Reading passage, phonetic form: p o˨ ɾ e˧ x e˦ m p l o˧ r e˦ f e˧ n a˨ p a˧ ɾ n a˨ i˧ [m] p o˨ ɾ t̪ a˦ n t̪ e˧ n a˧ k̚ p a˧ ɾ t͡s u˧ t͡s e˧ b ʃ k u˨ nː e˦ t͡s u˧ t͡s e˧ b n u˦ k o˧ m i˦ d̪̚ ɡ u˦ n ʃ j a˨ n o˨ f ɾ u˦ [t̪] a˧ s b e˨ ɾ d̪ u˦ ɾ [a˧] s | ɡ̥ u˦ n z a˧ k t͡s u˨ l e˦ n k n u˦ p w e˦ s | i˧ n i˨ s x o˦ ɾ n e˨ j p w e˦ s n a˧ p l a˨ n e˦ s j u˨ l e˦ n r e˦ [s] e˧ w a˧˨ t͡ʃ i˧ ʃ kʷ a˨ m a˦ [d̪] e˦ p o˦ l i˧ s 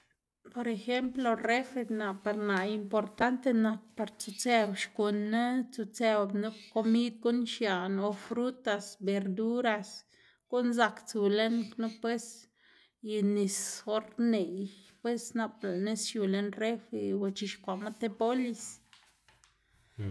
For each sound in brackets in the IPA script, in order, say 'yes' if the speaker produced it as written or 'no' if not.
yes, yes, yes, no, no

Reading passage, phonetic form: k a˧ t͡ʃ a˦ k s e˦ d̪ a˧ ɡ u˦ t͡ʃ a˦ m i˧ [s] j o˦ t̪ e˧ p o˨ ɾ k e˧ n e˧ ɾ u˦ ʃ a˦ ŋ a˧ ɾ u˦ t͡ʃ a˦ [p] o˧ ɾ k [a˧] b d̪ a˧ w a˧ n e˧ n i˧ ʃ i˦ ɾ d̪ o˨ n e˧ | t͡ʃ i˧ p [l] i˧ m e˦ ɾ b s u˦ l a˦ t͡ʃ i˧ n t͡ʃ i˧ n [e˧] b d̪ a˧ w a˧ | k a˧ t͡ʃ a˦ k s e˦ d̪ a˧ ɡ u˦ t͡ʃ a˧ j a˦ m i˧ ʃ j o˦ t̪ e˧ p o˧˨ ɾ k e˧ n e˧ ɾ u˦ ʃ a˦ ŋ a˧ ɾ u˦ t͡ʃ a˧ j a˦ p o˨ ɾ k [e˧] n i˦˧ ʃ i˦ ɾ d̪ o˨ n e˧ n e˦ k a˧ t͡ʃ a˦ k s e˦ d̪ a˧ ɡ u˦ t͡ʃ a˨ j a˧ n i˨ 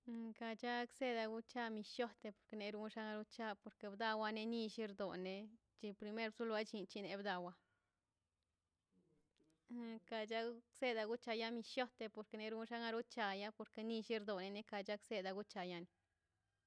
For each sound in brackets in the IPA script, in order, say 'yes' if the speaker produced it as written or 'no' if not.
no, yes, no, no, yes, yes

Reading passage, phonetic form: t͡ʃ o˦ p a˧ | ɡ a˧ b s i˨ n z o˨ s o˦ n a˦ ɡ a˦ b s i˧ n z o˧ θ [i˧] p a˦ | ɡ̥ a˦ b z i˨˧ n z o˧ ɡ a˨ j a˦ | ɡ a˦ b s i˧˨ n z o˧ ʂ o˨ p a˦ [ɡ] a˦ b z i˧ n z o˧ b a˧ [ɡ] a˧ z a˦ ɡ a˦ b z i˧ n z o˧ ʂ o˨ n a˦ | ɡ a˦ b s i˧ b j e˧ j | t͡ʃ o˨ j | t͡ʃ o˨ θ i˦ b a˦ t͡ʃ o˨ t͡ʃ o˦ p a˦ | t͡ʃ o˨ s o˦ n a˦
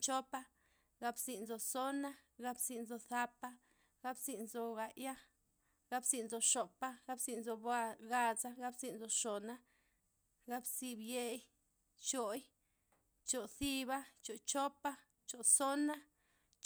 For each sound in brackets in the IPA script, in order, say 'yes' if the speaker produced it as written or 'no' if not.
no, yes, yes

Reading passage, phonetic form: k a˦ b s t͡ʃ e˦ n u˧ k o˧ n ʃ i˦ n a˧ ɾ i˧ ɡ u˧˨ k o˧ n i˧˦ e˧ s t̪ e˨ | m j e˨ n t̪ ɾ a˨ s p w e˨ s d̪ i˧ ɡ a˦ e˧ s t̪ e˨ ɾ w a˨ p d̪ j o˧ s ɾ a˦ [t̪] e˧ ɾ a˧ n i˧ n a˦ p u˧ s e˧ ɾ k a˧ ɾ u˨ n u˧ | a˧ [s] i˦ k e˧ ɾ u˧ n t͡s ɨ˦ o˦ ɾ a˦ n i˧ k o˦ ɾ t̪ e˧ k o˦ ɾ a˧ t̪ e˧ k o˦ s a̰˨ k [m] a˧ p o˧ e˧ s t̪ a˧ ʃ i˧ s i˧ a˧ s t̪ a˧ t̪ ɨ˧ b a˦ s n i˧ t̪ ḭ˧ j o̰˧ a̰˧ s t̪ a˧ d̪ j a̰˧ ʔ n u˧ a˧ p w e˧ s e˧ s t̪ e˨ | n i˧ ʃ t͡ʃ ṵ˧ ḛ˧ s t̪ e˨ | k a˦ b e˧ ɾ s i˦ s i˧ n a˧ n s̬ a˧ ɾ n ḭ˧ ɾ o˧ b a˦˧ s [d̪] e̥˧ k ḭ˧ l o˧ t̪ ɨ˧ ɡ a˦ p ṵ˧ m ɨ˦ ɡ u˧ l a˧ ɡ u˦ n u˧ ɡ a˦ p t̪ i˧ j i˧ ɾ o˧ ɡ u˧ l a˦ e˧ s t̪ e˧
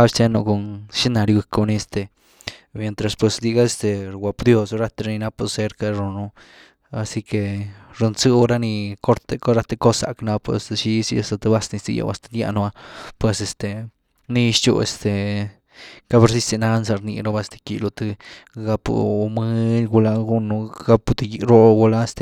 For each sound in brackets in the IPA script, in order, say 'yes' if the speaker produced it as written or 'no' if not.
yes, yes, no, no

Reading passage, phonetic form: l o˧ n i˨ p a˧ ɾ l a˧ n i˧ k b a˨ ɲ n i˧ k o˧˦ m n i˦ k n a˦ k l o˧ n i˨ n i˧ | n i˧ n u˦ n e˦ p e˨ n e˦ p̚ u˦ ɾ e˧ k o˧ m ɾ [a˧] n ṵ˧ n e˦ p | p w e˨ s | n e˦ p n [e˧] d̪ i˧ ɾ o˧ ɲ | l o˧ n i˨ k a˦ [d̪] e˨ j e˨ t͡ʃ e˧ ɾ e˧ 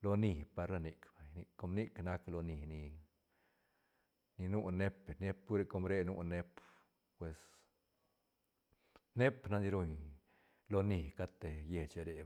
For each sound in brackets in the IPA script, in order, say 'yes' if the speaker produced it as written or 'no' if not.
no, no, no

